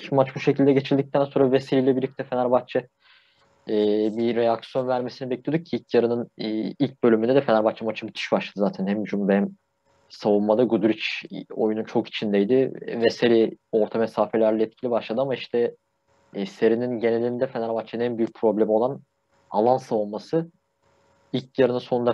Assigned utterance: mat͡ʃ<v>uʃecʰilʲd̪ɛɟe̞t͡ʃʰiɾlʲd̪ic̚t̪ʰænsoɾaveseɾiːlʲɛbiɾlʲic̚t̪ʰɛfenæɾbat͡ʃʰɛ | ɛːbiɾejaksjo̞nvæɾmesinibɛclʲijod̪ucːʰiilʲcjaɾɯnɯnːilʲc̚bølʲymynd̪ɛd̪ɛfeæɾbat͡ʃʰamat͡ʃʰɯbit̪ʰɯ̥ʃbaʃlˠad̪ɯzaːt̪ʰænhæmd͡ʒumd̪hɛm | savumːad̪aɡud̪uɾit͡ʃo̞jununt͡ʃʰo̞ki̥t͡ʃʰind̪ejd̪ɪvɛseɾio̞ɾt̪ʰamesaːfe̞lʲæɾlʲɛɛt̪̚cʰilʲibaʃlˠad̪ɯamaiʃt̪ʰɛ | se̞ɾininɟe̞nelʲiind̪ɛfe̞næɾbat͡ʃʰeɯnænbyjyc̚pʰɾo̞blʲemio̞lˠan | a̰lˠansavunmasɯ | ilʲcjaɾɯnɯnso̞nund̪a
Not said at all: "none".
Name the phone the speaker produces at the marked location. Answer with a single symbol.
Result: b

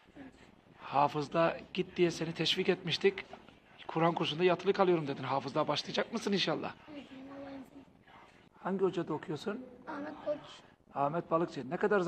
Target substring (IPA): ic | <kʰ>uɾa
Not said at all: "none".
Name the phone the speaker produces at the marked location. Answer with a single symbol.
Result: kʰ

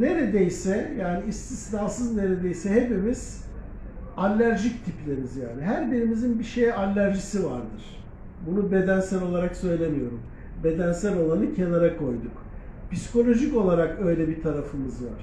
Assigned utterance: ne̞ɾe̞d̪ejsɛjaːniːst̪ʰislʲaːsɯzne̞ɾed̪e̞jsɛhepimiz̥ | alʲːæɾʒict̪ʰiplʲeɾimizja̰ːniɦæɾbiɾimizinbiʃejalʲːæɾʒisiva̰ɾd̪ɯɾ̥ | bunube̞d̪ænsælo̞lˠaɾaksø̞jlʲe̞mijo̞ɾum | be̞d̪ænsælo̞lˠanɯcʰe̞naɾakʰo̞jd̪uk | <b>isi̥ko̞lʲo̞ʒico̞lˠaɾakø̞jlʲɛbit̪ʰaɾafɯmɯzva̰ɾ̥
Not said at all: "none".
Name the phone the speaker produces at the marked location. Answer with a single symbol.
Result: p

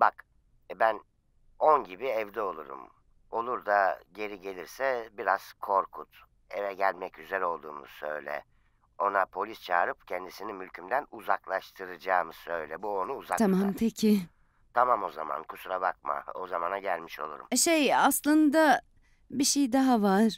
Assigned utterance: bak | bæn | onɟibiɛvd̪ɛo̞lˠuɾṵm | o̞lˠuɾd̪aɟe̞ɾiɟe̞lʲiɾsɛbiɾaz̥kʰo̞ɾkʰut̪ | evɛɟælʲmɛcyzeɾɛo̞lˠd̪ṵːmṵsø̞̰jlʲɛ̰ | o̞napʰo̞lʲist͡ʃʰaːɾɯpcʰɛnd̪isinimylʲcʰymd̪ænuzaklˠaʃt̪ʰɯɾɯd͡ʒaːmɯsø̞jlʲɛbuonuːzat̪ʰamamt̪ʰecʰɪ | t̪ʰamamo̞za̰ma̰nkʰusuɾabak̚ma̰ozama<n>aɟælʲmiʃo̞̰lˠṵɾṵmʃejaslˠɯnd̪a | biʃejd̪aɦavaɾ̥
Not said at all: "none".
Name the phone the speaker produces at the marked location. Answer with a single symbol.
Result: n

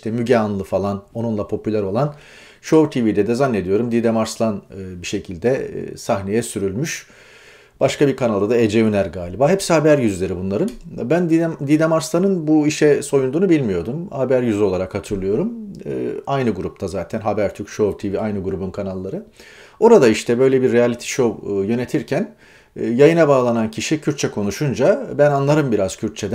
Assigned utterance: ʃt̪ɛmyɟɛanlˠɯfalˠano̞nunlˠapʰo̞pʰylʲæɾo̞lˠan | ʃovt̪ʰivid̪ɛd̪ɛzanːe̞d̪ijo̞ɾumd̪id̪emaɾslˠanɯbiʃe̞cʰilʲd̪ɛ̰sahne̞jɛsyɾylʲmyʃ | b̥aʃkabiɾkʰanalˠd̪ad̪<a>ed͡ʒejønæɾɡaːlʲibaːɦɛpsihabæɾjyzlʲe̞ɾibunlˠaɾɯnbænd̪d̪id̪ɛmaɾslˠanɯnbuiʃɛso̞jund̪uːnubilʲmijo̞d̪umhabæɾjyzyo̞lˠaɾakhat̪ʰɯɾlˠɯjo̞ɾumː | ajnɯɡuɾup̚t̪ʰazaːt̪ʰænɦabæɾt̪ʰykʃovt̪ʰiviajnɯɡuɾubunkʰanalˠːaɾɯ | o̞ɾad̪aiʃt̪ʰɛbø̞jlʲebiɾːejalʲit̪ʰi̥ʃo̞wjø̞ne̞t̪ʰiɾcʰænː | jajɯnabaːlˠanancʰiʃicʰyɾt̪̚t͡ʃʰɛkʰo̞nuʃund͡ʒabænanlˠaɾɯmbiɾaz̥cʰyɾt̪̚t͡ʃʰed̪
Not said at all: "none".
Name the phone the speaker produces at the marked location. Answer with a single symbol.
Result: a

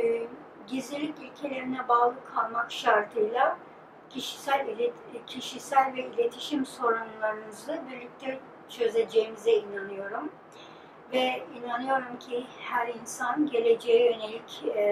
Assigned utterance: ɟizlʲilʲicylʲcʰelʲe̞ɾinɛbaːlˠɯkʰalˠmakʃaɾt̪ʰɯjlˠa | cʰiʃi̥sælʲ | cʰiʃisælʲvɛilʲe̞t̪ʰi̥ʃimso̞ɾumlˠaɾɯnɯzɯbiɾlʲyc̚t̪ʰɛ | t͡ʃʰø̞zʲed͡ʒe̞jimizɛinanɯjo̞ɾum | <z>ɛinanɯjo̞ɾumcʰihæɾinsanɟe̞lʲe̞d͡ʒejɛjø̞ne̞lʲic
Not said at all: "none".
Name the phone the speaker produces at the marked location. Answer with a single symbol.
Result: v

